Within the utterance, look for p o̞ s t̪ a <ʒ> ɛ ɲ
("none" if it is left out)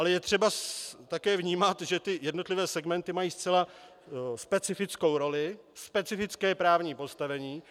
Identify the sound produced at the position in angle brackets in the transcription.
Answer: v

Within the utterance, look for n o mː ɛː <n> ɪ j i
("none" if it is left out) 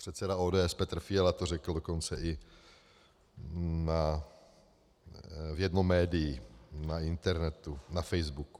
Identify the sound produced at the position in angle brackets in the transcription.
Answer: d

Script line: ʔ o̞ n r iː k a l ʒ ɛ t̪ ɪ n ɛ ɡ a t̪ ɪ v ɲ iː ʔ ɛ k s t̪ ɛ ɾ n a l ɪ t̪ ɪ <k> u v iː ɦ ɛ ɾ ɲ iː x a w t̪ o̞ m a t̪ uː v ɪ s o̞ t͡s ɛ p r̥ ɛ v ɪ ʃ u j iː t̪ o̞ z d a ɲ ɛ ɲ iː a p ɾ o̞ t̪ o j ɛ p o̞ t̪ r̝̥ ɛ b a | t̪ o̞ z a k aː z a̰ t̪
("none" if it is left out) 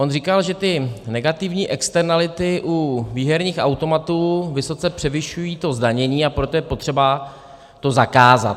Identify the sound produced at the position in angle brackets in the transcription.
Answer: ʔ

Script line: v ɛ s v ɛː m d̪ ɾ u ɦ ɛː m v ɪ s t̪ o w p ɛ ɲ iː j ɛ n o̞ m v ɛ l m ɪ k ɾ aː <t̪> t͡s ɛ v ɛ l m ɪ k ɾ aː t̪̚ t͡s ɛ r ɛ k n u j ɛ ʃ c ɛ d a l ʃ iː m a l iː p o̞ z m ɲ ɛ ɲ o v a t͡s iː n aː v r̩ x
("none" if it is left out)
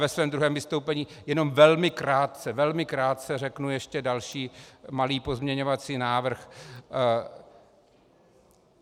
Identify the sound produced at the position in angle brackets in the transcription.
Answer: t̪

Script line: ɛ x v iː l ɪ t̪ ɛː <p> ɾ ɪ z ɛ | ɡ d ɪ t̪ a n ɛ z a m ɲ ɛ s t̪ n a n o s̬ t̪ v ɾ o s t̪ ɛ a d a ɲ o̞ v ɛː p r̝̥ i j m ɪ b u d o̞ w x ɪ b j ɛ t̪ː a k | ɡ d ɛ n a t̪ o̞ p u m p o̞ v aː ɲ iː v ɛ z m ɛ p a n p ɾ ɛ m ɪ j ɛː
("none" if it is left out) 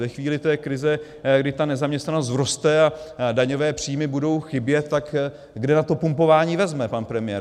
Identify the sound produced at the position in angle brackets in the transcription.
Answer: k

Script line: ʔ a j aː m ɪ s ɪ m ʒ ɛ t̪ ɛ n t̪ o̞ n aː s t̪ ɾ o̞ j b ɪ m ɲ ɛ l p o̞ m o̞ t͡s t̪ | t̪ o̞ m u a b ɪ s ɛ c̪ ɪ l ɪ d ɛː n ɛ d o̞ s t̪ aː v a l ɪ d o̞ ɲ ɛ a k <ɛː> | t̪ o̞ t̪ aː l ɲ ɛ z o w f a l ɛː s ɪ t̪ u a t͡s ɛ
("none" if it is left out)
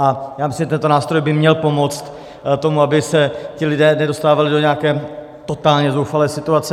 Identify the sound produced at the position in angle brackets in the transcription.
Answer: ɛː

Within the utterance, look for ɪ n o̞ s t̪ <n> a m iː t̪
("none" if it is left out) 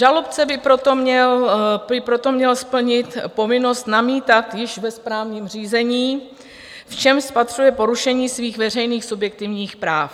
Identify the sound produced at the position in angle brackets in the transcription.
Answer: n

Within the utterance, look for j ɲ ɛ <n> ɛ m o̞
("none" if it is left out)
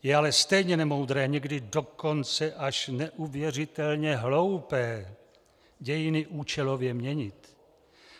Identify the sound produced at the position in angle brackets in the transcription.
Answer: n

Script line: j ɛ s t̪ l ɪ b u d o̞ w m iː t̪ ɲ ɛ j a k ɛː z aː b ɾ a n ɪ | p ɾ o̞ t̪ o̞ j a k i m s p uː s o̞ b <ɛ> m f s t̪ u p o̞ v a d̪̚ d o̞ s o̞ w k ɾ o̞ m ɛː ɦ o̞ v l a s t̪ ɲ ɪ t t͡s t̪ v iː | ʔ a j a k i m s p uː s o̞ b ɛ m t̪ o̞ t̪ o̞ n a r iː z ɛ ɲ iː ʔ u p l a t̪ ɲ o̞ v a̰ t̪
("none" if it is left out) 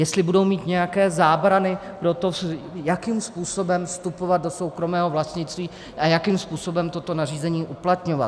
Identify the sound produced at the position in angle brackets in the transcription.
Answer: ɛ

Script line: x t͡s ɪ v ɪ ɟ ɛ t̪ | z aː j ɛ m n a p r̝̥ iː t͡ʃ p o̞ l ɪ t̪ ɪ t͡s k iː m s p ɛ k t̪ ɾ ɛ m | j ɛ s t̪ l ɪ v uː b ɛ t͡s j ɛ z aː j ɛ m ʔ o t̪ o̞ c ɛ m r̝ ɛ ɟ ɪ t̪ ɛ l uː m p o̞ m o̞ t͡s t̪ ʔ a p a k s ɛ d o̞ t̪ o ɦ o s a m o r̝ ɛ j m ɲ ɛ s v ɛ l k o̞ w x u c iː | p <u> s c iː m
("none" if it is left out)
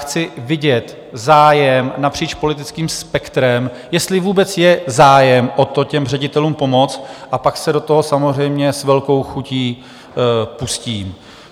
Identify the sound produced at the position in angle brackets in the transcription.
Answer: u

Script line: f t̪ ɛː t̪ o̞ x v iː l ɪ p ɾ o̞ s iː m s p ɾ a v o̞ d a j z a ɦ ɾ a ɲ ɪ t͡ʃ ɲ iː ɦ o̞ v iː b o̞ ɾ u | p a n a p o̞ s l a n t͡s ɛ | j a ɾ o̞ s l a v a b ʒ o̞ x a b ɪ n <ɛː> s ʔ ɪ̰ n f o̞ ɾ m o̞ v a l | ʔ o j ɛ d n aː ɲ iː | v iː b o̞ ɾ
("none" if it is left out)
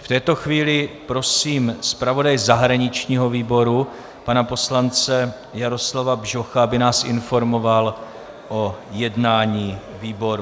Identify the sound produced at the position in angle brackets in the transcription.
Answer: aː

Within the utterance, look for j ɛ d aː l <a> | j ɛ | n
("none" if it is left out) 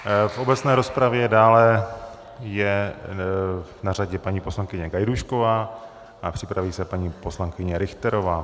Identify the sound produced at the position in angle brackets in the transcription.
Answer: ɛ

